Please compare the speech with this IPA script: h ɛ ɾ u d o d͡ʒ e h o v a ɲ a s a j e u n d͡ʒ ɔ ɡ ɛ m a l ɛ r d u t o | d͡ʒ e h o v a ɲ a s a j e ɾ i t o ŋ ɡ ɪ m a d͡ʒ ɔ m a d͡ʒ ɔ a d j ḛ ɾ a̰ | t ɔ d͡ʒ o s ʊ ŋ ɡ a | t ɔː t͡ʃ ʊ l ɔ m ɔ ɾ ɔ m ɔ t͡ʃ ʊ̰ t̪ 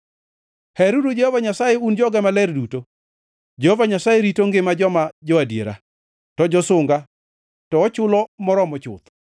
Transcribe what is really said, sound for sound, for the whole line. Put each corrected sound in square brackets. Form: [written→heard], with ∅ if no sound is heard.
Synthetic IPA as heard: h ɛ ɾ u d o d͡ʒ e h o v a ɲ a s a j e u n d͡ʒ ɔ ɡ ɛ m a l ɛ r d u t o | d͡ʒ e h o v a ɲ a s a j e ɾ i t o ŋ ɡ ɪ m a d͡ʒ ɔ m a d͡ʒ ɔ a d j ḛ ɾ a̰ | t ɔ d͡ʒ [o→ɔ] s ʊ ŋ ɡ a | t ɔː t͡ʃ ʊ l ɔ m ɔ ɾ ɔ m ɔ t͡ʃ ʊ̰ t̪